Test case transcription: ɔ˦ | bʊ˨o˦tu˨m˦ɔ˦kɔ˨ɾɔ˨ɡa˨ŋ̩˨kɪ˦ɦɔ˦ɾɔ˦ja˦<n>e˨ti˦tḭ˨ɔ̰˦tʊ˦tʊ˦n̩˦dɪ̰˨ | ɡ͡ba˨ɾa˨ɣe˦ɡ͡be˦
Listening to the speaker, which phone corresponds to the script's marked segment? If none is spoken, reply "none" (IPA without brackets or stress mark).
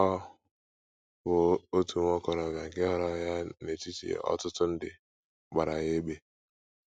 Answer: n